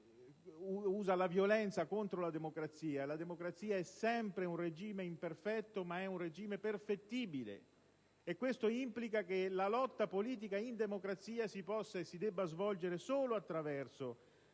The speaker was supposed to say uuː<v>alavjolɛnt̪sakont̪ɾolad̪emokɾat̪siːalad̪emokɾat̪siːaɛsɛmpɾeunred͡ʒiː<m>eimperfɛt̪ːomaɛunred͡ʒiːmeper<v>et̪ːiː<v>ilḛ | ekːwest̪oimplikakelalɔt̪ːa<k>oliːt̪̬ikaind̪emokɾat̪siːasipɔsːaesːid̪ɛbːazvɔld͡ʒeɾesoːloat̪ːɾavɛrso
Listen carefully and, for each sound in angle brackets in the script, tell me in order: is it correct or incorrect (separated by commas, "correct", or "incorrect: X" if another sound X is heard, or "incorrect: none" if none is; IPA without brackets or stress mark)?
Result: incorrect: z, correct, incorrect: f, incorrect: b, incorrect: p